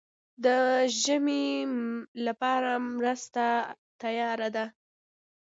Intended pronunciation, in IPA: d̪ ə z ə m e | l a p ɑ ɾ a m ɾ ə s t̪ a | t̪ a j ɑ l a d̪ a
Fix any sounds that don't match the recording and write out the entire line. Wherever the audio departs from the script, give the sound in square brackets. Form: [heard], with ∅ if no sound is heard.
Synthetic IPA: d̪ ə [ʒ] ə m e | l a p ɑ ɾ a m ɾ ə s t̪ a | t̪ a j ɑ [ɾ] a d̪ a